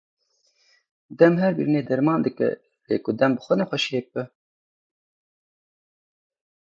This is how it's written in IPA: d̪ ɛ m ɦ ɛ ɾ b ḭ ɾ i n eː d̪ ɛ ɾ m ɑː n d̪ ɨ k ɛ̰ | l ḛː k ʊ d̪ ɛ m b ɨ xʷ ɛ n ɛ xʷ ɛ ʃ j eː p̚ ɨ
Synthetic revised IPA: d̪ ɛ m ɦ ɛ ɾ b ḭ ɾ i n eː d̪ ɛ ɾ m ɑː n d̪ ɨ k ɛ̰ | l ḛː k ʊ d̪ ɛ m b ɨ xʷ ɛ n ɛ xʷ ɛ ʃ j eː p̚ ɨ